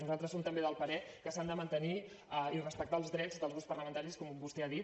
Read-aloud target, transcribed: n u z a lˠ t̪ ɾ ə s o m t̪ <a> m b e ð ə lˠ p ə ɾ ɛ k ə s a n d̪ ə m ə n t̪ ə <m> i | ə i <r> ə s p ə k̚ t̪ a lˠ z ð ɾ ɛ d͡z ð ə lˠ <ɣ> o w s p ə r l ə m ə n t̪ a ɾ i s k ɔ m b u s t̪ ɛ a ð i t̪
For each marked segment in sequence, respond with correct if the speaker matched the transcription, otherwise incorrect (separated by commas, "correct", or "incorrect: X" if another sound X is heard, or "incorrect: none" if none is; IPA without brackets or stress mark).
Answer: incorrect: ə, incorrect: n, correct, incorrect: z